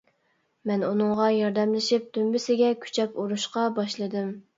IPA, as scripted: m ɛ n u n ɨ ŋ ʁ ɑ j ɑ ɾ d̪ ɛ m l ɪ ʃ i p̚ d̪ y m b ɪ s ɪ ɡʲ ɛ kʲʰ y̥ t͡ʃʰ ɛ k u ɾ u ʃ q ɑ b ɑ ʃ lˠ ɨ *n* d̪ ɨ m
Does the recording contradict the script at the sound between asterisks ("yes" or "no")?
yes